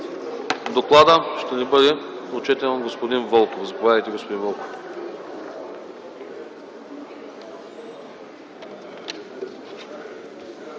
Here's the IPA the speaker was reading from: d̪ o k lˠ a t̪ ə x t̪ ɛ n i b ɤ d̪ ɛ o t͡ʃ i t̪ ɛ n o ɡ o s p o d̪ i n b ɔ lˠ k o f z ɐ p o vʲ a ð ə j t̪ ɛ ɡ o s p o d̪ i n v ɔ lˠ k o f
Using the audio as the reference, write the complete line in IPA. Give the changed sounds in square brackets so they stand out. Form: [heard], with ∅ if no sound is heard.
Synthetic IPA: d̪ o k lˠ a [d̪] ə [ʃ] t̪ ɛ n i b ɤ d̪ ɛ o t͡ʃ [ɛ] t̪ ɛ n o ɡ o s p o d̪ i n [v] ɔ lˠ k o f z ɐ p o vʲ a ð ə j t̪ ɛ ɡ o s p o d̪ i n v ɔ lˠ k o f